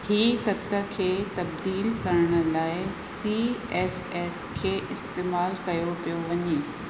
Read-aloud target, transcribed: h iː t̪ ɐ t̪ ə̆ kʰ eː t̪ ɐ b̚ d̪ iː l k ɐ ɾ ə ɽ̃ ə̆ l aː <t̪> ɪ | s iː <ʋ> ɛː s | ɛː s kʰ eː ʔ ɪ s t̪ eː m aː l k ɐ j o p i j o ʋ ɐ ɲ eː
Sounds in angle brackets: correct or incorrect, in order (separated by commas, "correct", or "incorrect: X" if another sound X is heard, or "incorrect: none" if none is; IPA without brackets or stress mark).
incorrect: none, incorrect: none